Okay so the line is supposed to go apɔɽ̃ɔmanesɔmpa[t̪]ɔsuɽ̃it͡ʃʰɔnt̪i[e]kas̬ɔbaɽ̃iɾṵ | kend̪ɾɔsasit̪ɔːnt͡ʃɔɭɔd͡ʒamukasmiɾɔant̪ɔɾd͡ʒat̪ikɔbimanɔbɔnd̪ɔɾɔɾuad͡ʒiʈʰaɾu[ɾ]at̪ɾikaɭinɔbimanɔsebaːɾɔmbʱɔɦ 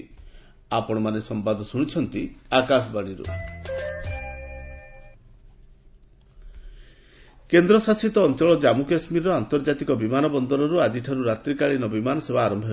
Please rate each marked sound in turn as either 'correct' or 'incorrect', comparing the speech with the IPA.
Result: incorrect: d̪, incorrect: a, correct

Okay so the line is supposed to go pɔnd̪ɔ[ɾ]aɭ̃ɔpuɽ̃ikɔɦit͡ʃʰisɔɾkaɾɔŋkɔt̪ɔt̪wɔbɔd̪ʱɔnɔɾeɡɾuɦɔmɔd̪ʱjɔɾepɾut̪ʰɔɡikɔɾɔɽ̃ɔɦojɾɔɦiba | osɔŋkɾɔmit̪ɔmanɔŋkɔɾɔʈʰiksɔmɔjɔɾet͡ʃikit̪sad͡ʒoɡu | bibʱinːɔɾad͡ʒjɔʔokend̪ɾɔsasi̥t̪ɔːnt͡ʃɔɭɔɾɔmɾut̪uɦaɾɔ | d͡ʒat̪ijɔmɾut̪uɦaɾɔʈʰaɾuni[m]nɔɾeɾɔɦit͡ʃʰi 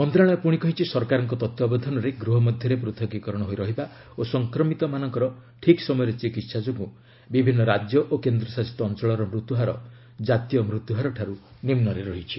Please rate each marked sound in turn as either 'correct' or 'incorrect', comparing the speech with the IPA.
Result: correct, correct

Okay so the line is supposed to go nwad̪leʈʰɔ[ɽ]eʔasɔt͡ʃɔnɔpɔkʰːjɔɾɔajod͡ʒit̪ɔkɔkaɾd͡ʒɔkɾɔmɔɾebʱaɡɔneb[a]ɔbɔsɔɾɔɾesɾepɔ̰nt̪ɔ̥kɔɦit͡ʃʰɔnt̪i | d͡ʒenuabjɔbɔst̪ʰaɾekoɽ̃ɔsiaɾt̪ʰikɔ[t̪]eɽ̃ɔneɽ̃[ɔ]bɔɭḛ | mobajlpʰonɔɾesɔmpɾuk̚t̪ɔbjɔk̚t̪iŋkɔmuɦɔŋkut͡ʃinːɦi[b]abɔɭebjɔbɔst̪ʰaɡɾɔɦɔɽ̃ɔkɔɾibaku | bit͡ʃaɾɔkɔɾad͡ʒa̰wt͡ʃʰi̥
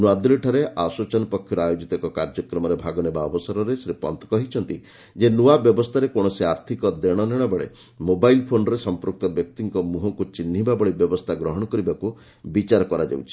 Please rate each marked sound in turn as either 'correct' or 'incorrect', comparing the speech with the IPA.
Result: incorrect: ɾ, correct, incorrect: d̪, correct, correct

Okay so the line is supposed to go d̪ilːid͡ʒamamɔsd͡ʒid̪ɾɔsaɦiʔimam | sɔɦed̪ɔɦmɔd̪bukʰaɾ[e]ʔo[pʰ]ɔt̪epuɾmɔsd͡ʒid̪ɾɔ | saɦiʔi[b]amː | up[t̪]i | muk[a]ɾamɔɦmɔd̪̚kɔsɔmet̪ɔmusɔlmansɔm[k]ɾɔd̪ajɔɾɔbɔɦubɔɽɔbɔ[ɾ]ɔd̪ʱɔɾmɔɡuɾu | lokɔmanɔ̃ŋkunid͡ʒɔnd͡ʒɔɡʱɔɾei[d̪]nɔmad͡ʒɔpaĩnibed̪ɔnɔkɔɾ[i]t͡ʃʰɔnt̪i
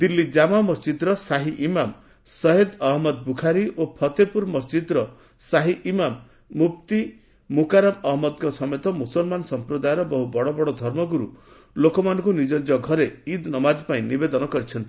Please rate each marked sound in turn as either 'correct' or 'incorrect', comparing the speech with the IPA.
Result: incorrect: i, correct, incorrect: m, correct, correct, incorrect: p, incorrect: ɽ, correct, correct

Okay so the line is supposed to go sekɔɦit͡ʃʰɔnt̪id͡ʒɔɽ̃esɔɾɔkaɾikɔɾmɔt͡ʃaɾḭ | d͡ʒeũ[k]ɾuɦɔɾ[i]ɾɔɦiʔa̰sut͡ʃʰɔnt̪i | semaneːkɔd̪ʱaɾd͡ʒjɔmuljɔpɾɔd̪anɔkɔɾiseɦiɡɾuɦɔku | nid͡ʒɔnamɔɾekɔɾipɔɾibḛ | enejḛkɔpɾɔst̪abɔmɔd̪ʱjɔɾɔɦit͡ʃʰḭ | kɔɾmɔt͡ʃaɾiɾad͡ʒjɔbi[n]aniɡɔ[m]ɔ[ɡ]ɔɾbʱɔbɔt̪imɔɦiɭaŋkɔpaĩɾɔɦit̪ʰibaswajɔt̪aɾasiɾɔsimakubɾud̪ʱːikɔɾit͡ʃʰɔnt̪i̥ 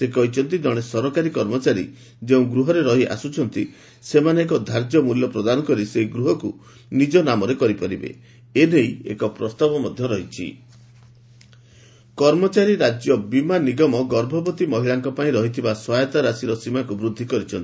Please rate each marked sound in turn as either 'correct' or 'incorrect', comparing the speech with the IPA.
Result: incorrect: ɡ, incorrect: e, incorrect: m, correct, correct

